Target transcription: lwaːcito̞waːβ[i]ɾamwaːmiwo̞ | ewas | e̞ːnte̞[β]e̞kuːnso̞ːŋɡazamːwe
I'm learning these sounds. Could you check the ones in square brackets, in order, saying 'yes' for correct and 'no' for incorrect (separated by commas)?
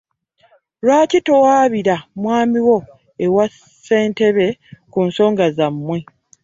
yes, yes